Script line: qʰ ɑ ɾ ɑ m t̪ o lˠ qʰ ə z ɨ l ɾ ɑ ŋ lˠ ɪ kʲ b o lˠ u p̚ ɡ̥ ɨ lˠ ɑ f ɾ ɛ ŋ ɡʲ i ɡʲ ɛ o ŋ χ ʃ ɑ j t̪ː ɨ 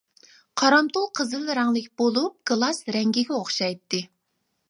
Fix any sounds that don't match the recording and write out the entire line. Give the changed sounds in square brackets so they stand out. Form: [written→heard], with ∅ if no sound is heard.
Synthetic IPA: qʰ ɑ ɾ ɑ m t̪ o lˠ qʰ ə z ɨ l ɾ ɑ ŋ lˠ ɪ kʲ b o lˠ u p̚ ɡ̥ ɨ lˠ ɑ [f→s] ɾ ɛ ŋ ɡʲ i ɡʲ ɛ o [ŋ→∅] χ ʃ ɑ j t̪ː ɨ